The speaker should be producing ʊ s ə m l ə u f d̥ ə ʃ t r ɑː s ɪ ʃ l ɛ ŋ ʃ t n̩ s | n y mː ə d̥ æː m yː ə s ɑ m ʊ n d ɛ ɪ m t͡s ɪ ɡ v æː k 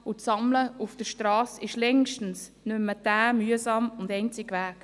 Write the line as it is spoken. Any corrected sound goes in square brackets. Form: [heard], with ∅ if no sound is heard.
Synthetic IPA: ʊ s [ɑ] m l ə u f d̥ ə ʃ t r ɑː s ɪ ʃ l ɛ ŋ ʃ t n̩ s | n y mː ə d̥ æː m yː ə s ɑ m ʊ n d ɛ ɪ [n] t͡s ɪ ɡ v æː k